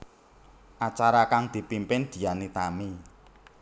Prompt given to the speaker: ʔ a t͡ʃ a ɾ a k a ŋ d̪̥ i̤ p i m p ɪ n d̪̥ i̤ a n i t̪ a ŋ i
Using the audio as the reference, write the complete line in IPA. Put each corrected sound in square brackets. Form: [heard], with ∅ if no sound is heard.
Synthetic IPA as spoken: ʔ a t͡ʃ a ɾ a k a ŋ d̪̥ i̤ p i m p ɪ n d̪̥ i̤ a n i t̪ a [m] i